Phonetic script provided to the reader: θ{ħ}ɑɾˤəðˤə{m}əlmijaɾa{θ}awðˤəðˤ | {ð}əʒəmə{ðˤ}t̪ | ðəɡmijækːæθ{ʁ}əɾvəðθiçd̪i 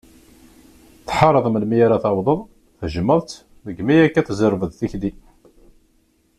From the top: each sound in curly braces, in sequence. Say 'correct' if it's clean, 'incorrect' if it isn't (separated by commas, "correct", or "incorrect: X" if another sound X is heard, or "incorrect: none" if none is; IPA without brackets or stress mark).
correct, correct, correct, incorrect: θ, correct, incorrect: z